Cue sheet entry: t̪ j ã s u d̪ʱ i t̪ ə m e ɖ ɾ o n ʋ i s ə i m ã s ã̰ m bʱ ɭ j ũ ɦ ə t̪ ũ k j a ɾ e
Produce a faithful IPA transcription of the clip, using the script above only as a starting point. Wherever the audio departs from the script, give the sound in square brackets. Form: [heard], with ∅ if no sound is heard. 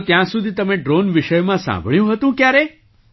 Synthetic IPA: t̪ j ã s u d̪ʱ i t̪ ə m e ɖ ɾ o n ʋ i [ʃ] ə [j] m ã s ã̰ m bʱ ɭ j ũ ɦ ə t̪ ũ k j a ɾ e